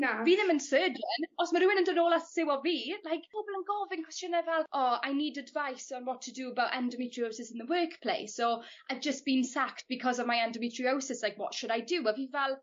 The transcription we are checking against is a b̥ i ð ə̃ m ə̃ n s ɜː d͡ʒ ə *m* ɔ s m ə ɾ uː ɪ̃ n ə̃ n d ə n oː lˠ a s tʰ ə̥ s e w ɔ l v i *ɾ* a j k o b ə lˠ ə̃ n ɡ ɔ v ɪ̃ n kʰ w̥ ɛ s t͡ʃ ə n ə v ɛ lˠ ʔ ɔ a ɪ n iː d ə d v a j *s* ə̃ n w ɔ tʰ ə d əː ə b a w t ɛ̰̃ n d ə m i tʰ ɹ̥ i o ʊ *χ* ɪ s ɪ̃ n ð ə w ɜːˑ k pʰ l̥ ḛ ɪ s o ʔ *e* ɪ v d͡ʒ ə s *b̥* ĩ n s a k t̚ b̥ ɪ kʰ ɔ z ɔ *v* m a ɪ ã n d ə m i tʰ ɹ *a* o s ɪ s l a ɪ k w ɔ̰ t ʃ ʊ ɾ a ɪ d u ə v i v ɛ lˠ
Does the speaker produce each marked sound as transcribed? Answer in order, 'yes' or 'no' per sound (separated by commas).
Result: no, no, yes, no, no, yes, yes, no